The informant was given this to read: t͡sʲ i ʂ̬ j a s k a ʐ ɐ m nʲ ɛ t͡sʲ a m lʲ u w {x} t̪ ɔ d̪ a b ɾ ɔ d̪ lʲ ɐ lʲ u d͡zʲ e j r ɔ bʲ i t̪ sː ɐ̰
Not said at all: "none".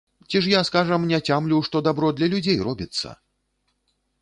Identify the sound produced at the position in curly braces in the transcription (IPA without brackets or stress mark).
ʂ